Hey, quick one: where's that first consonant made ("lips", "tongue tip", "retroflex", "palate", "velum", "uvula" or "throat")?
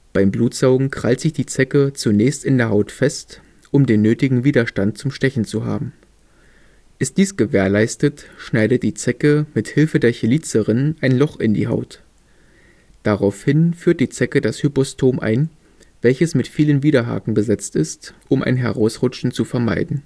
lips